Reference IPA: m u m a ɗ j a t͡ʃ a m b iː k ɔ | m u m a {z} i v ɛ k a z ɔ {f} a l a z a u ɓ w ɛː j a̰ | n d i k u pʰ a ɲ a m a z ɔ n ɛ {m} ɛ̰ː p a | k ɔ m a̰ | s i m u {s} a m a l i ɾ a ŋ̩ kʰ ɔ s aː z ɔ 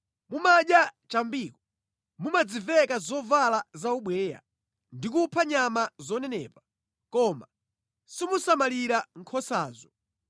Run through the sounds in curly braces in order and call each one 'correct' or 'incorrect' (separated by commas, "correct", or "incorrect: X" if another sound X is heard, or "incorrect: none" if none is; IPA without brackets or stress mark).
incorrect: d͡z, incorrect: v, incorrect: n, correct